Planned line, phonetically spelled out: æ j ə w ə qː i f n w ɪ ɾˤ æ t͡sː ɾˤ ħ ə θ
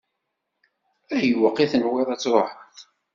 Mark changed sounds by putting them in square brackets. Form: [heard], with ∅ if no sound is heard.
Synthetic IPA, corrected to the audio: æ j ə w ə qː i [θ] n w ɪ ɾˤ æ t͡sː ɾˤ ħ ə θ